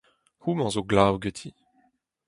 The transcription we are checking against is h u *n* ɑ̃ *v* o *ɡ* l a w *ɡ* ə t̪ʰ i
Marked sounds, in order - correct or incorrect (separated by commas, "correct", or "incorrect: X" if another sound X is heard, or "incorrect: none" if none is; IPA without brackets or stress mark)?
incorrect: m, incorrect: z, correct, correct